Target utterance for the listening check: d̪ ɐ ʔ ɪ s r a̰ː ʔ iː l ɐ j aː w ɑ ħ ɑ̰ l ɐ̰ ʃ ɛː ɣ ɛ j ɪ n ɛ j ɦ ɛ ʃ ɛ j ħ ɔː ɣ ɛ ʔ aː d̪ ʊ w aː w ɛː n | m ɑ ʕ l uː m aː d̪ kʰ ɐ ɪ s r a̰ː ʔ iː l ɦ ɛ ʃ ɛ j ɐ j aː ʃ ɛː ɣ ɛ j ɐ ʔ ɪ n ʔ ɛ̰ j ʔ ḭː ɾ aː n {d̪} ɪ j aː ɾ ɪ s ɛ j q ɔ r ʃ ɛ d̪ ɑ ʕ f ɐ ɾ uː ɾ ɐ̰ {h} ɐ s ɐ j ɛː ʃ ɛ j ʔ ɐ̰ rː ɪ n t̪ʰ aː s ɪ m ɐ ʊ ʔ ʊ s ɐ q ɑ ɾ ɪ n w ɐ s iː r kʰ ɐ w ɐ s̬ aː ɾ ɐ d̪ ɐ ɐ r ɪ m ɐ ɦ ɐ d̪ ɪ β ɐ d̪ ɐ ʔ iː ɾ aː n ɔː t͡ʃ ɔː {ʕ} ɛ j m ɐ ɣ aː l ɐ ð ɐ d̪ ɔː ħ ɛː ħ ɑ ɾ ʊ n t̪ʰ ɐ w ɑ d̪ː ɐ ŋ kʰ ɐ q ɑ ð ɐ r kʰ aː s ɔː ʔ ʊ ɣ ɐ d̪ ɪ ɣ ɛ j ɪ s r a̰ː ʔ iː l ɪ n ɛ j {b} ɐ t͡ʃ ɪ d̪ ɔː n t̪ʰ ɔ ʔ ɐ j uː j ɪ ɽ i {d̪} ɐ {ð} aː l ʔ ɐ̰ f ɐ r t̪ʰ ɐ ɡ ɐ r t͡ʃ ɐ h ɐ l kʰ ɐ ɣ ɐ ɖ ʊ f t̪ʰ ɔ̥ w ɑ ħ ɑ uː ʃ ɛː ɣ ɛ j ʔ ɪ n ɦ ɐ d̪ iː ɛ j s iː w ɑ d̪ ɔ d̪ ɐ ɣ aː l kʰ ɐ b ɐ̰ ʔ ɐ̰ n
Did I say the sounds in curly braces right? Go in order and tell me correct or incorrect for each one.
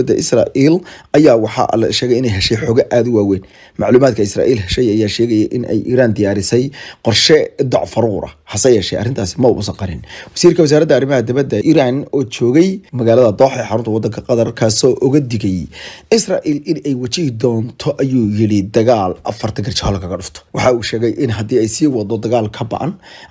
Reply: correct, correct, incorrect: ɣ, incorrect: w, correct, incorrect: ɣ

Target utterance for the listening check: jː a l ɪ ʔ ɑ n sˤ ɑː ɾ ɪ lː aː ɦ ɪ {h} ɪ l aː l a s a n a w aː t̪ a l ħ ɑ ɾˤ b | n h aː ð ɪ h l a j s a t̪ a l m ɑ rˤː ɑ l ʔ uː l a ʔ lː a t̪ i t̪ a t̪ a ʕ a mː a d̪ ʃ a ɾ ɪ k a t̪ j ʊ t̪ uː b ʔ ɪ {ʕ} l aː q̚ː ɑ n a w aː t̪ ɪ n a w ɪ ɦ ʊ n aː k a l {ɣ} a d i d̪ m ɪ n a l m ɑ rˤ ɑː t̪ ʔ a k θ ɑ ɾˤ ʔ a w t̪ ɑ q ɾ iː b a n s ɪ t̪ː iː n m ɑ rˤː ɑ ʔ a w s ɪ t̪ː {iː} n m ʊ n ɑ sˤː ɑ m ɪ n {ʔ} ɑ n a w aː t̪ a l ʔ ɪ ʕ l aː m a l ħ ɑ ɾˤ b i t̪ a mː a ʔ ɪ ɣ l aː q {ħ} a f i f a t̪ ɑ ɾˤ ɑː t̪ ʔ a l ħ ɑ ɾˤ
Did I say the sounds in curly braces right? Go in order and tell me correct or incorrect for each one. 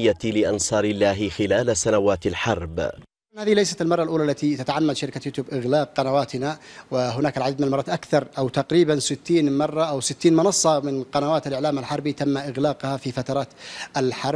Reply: incorrect: x, incorrect: ɣ, incorrect: ʕ, correct, incorrect: q, incorrect: h

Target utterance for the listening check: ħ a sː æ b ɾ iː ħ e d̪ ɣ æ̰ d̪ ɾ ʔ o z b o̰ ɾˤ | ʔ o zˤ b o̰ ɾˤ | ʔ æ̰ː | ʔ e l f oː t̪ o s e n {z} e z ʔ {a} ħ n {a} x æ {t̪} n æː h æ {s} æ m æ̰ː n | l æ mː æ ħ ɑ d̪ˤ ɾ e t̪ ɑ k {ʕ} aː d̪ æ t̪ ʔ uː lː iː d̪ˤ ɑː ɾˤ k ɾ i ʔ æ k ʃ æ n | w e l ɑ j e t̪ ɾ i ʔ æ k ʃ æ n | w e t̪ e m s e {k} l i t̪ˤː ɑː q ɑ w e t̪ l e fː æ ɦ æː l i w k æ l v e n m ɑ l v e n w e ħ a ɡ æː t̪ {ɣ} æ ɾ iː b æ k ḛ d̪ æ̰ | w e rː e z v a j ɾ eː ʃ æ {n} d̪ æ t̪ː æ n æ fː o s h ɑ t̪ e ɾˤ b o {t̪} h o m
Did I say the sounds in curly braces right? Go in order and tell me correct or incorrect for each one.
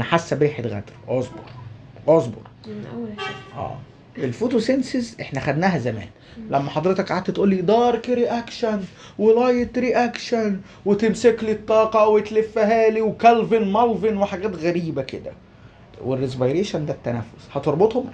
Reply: incorrect: s, incorrect: e, incorrect: æ, incorrect: d̪, incorrect: z, correct, correct, correct, correct, correct

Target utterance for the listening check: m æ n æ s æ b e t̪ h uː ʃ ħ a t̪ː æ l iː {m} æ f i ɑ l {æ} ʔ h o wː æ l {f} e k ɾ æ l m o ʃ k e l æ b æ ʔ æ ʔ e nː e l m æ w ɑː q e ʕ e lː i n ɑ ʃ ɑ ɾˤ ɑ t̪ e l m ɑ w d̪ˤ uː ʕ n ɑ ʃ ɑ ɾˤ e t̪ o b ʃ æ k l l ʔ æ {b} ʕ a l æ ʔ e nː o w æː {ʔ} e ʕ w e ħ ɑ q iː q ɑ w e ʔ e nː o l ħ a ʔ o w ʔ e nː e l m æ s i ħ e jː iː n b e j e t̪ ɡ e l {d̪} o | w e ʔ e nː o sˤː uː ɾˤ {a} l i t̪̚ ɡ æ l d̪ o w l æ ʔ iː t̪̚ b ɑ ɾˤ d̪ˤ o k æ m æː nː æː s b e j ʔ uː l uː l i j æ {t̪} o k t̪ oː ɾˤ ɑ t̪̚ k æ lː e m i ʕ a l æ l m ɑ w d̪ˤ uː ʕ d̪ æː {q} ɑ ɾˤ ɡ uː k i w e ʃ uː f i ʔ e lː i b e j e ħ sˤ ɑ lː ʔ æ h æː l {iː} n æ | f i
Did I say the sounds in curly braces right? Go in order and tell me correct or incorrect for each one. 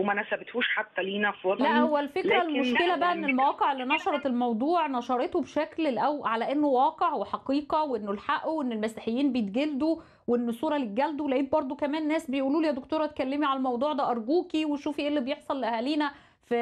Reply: incorrect: n, correct, correct, incorrect: w, incorrect: q, correct, incorrect: ɑ, incorrect: d̪, incorrect: ʔ, correct

